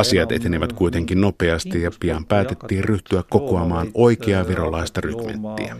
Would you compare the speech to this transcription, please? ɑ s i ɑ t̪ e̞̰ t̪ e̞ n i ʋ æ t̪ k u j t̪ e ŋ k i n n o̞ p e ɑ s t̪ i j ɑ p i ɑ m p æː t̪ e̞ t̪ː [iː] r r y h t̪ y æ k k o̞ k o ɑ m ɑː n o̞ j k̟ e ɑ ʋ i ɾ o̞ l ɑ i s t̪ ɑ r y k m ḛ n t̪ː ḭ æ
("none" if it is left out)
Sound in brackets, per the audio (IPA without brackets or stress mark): iː